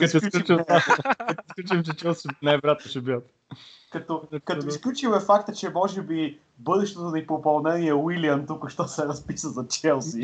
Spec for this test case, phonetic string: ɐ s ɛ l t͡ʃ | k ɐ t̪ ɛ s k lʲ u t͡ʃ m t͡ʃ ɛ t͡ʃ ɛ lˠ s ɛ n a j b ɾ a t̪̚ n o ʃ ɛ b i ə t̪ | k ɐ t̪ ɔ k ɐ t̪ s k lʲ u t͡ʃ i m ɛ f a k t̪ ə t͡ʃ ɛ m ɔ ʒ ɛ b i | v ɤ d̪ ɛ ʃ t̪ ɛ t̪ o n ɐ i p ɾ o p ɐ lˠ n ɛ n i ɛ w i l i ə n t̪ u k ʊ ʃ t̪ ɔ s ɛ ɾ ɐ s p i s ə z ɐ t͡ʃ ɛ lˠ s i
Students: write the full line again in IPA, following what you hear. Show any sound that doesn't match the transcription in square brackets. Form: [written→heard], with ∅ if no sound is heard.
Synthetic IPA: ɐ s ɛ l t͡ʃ | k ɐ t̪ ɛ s k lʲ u t͡ʃ m t͡ʃ ɛ t͡ʃ ɛ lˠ s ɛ n a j b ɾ a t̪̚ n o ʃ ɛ b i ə t̪ | k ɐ t̪ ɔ k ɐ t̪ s k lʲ u t͡ʃ i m ɛ f a k t̪ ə t͡ʃ ɛ m ɔ ʒ ɛ b i | [v→b] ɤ d̪ ɛ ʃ t̪ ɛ t̪ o n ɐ i p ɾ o p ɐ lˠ n ɛ n i ɛ w i l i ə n t̪ u k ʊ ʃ t̪ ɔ s ɛ ɾ ɐ s p i s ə z ɐ t͡ʃ ɛ lˠ s i